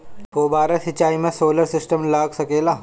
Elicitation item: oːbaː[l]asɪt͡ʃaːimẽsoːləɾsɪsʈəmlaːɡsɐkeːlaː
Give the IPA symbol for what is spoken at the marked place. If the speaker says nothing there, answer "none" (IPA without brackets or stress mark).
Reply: ɾ